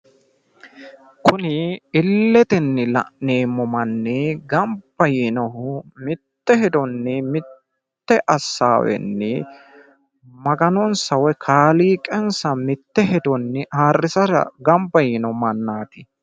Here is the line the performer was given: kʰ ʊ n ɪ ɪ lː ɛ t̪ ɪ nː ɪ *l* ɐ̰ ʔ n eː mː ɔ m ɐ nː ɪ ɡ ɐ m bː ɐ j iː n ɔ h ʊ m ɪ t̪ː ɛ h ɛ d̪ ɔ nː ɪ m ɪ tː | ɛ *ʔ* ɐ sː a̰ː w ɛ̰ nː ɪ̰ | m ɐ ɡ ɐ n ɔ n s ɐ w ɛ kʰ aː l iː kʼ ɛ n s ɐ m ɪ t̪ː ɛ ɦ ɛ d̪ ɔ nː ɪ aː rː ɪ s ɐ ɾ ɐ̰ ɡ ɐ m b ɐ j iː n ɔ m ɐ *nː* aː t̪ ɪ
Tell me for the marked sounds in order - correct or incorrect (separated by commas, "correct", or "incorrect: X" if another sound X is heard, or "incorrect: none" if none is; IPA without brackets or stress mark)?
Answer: correct, correct, correct